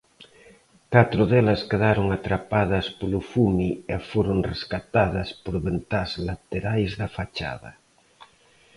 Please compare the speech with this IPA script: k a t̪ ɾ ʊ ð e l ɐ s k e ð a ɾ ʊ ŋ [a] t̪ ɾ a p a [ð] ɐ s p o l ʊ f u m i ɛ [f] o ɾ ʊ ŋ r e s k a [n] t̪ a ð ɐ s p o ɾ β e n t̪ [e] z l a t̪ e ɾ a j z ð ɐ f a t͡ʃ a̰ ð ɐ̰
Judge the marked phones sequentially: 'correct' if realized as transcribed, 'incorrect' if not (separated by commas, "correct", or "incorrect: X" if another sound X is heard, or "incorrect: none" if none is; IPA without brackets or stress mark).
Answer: correct, correct, correct, incorrect: none, incorrect: a